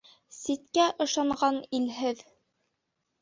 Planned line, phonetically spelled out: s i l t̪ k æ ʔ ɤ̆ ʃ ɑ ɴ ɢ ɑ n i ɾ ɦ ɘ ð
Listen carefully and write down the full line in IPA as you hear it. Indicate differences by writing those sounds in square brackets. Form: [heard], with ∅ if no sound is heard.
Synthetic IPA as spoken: s i [∅] t̪ k æ ʔ ɤ̆ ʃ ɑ ɴ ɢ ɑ n i [l] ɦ ɘ ð